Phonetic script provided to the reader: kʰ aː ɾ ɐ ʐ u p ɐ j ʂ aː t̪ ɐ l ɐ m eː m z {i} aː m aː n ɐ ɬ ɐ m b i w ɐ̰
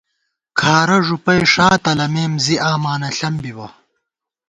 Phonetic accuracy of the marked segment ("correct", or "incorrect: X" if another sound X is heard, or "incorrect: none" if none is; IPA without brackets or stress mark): correct